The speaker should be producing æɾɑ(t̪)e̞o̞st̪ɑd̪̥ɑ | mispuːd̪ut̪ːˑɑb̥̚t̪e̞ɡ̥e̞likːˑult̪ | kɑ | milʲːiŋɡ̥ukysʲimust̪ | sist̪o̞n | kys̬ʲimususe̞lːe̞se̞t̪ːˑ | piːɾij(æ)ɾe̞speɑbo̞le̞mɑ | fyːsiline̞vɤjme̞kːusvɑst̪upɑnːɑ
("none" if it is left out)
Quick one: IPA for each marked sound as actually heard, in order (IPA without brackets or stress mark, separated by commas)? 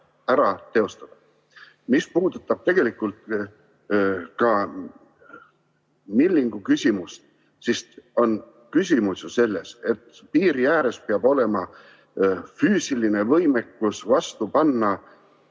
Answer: t̪, æː